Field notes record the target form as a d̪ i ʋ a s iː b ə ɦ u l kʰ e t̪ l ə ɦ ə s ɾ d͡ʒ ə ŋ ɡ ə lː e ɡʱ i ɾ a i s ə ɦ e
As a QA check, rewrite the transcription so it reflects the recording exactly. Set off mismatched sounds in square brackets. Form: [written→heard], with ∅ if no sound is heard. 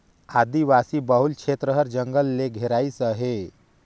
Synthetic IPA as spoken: a d̪ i ʋ a s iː b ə ɦ u l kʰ e t̪ [l→ɾ] ə ɦ ə [s→∅] ɾ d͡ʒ ə ŋ ɡ ə lː e ɡʱ [i→e] ɾ a i s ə ɦ e